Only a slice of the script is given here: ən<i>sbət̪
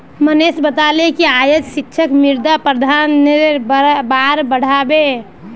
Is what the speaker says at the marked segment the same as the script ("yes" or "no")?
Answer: no